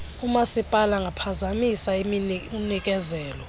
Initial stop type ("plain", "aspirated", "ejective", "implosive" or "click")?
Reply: ejective